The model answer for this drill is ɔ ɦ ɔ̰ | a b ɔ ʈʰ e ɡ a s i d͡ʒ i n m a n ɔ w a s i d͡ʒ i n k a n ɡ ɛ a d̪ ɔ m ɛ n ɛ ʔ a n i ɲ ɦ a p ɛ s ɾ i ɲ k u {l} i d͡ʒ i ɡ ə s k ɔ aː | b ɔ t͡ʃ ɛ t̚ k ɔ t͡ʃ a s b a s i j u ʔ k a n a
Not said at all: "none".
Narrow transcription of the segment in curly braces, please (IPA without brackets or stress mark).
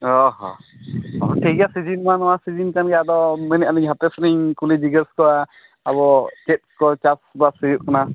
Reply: l